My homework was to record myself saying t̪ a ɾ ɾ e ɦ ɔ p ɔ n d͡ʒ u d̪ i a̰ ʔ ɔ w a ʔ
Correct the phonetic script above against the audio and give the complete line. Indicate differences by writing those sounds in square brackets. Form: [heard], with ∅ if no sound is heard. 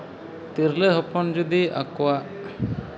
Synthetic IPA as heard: t̪ [i] ɾ [l] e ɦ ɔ p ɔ n d͡ʒ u d̪ i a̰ [k] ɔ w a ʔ